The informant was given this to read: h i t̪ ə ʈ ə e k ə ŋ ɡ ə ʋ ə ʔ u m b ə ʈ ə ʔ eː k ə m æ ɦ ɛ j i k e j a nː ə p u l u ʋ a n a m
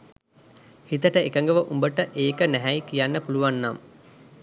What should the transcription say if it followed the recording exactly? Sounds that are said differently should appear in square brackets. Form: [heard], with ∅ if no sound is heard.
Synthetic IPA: h i t̪ ə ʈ ə e k ə ŋ ɡ ə ʋ ə ʔ u m b ə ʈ ə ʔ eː k ə [n] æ ɦ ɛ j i k [i] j a nː ə p u l u ʋ a [nː] a m